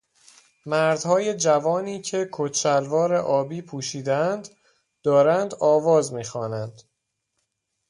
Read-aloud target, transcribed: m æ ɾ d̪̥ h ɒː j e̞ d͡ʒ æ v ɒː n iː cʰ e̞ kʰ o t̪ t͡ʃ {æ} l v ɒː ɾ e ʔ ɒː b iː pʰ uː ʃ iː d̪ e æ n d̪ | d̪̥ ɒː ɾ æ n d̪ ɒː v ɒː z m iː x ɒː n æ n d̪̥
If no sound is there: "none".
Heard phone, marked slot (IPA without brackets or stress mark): æ